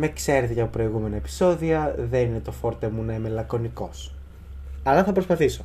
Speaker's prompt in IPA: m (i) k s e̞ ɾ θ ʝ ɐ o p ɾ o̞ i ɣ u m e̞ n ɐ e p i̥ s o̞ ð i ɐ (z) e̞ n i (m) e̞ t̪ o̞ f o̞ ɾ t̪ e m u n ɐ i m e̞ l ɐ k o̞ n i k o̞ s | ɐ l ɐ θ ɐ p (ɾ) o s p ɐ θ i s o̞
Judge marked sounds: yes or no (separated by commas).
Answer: no, no, no, yes